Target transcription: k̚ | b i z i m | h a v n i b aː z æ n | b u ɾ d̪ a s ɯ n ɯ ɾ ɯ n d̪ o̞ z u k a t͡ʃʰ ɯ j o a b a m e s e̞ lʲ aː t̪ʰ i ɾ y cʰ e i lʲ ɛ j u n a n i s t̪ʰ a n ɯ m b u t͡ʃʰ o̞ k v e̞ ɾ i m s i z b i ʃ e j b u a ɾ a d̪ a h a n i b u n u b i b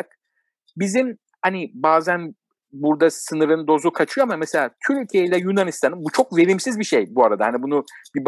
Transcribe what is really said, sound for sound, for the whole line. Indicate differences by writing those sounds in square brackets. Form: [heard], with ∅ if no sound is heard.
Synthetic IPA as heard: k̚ | b i z i m | h a [∅] n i b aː z æ n | b u ɾ d̪ a s ɯ n ɯ ɾ ɯ n d̪ o̞ z u [kʰ] a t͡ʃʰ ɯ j o a [m] a m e s e̞ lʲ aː t̪ʰ [y] ɾ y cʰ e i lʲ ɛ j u n a n i s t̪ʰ a n ɯ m b u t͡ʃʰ o̞ k v e̞ ɾ i m s i z b i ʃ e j b u a ɾ a d̪ a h a n i b u n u b i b